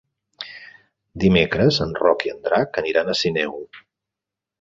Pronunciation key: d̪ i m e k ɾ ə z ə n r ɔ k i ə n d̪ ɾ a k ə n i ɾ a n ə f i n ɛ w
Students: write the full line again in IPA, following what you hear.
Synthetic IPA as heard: d̪ i m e k ɾ ə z ə n r ɔ k i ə n d̪ ɾ a k ə n i ɾ a n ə s i n ɛ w

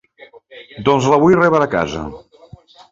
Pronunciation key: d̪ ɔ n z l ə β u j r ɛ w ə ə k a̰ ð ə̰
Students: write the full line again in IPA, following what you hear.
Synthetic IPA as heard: d̪ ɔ n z l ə β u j r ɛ β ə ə k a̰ z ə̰

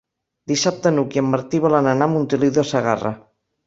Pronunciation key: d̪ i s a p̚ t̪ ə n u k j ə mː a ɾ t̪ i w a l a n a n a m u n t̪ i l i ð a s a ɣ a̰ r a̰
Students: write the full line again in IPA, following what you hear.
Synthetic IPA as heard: d̪ i s a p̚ t̪ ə n u k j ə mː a ɾ t̪ i β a l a n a n a m u n t̪ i l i ð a s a ɣ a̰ r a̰

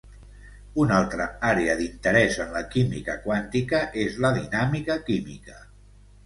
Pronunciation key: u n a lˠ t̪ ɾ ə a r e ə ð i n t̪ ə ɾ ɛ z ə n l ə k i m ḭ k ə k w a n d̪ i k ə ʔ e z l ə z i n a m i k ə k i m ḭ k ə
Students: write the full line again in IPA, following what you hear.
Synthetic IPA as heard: u n a lˠ t̪ ɾ ə a ɾ e ə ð i n t̪ ə ɾ ɛ z ə n l ə k i m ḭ k ə k w a n t̪ i k ə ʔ e z l ə ð i n a m i k ə k i m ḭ k ə

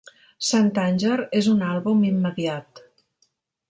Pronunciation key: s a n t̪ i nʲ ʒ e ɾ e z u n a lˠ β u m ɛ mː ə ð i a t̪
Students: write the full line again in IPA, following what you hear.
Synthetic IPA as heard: s a n t̪ a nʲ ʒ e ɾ e z u n a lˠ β u m i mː ə ð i a t̪

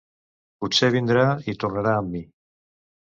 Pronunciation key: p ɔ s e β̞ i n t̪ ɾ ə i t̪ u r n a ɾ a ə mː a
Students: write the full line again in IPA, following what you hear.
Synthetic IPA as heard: p u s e β̞ i n d̪ ɾ a i t̪ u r n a ɾ a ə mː i

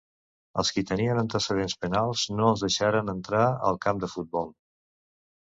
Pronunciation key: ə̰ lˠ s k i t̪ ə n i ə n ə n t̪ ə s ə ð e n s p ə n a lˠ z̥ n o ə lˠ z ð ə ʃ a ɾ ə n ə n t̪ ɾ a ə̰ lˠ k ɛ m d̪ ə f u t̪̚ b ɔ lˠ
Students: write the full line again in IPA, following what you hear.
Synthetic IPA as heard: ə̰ lˠ s k i t̪ ə n i ə n ə n t̪ ə s ə ð e n s p ə n a lˠ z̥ n o ə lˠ z ð ə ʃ a ɾ ə n ə n t̪ ɾ a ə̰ lˠ k a m d̪ ə f u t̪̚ b ɔ lˠ

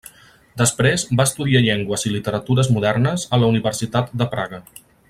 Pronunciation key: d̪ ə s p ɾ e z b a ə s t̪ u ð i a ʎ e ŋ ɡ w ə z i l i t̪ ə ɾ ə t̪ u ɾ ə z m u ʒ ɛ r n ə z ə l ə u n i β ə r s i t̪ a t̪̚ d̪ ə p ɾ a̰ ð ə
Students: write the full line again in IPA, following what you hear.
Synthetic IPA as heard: d̪ ə s p ɾ e z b a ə s t̪ u ð i a ʎ e ŋ ɡ w ə z i l i t̪ ə ɾ ə t̪ u ɾ ə z m u ð ɛ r n ə z ə l ə u n i β ə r s i t̪ a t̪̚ d̪ ə p ɾ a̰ ɣ ə

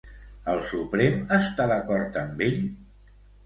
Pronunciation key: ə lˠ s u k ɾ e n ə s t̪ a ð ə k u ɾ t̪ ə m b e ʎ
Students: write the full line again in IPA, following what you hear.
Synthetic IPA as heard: ə lˠ s u p ɾ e m ə s t̪ a ð ə k ɔ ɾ t̪ ə m b e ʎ

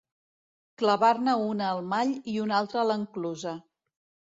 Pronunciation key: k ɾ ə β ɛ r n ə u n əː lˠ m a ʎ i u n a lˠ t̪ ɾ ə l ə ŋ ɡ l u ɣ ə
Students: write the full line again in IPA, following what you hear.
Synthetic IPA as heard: k l ə β a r n ə u n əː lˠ m a ʎ i u n a lˠ t̪ ɾ ə l ə ŋ k l u z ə

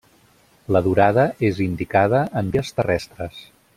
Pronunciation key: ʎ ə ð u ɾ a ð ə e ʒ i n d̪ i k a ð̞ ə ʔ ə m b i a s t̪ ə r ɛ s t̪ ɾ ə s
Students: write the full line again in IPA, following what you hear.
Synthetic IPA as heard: l ə ð u ɾ a ð ə e z i n d̪ i k a ð̞ ə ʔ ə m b i ə s t̪ ə r ɛ s t̪ ɾ ə s

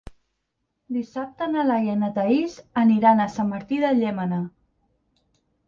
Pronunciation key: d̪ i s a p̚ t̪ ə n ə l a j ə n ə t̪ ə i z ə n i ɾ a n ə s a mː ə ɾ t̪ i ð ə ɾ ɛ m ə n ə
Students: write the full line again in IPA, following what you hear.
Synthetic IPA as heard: d̪ i s a p̚ t̪ ə n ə l a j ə n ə t̪ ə i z ə n i ɾ a n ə s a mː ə ɾ t̪ i ð ə ʎ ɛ m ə n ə

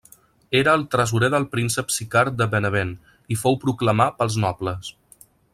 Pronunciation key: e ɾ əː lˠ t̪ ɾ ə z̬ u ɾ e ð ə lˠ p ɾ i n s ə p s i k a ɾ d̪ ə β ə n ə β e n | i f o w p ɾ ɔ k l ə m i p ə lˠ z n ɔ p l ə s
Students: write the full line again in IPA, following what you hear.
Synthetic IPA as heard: e ɾ əː lˠ t̪ ɾ ə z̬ u ɾ e ð ə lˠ p ɾ i n s ə p s i k a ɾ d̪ ə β ə n ə β e n | i f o w p ɾ u k l ə m a p ə lˠ z n ɔ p l ə s

